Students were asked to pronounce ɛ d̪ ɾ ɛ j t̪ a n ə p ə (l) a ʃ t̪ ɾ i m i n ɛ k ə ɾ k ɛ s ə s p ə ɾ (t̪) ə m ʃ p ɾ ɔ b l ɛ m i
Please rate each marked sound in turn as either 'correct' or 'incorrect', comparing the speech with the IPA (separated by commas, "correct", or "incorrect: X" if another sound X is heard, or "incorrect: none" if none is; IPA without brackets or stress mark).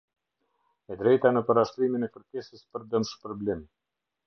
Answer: incorrect: ɾ, incorrect: d̪